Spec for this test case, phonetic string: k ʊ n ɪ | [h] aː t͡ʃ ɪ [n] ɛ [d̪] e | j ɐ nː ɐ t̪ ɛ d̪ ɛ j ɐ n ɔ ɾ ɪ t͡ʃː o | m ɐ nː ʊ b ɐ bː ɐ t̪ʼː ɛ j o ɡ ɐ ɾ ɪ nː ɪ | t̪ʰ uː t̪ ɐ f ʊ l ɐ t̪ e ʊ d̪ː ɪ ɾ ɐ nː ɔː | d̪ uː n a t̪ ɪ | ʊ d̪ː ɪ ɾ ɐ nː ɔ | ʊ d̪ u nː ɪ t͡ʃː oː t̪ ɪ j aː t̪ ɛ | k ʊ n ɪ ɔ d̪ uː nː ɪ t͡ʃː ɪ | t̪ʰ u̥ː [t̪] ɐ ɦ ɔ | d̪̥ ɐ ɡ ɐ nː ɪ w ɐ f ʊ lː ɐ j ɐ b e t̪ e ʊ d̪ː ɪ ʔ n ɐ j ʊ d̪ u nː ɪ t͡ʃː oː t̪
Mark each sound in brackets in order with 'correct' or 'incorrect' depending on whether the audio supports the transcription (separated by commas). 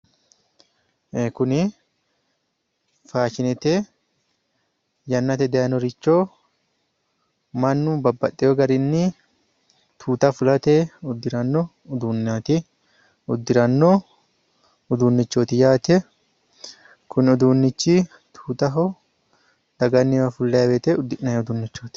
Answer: incorrect, correct, incorrect, correct